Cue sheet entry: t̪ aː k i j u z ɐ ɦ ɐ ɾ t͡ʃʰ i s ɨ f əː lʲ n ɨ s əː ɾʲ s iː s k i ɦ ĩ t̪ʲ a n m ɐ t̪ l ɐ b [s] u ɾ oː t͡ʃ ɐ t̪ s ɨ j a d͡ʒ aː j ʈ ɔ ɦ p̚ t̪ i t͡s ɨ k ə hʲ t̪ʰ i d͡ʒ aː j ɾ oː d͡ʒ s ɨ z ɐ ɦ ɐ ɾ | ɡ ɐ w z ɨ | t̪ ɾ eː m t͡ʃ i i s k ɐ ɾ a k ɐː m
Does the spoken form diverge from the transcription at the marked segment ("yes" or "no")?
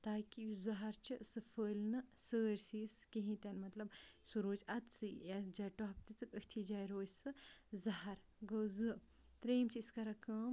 no